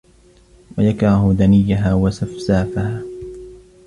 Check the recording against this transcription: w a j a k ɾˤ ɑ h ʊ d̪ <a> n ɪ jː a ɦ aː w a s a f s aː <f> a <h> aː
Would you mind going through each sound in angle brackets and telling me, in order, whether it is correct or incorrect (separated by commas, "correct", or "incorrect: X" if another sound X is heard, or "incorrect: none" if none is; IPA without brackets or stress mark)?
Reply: correct, correct, correct